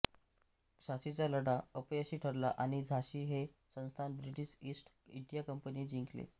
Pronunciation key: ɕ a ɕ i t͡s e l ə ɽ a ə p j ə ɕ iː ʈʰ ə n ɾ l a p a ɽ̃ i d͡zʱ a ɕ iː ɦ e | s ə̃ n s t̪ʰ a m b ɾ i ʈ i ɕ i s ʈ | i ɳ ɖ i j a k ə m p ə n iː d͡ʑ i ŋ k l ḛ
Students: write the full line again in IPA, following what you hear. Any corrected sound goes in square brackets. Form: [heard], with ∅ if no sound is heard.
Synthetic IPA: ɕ a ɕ i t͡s [a] l ə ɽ a ə p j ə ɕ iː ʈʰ ə [∅] ɾ l a [ʔ] a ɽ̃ i d͡zʱ a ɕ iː ɦ e | s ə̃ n s t̪ʰ a [n] b ɾ i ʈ i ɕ i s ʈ | i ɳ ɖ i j a k ə m p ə n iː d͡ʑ i ŋ k l ḛ